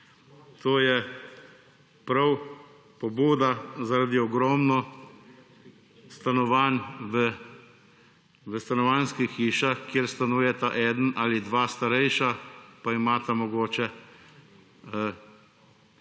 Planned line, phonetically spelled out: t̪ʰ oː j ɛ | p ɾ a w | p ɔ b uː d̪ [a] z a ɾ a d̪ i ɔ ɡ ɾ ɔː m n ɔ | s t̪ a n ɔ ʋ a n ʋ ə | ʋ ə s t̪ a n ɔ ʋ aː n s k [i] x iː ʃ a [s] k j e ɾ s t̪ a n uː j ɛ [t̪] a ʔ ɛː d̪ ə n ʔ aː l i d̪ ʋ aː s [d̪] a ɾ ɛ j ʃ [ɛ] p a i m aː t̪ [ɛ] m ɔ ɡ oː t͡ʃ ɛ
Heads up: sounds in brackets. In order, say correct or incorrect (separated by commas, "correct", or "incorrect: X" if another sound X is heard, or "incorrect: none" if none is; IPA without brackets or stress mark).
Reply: correct, correct, incorrect: x, correct, incorrect: t̪, incorrect: a, incorrect: a